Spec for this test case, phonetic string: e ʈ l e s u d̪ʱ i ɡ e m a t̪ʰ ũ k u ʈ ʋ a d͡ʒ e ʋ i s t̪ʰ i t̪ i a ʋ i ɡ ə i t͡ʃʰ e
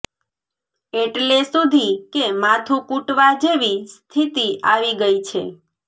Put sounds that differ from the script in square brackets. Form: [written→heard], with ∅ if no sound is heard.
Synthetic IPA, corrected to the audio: e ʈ l e s u d̪ʱ i [ɡ→k] e m a t̪ʰ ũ k u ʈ ʋ a d͡ʒ e ʋ i s t̪ʰ i t̪ i a ʋ i ɡ ə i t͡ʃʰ e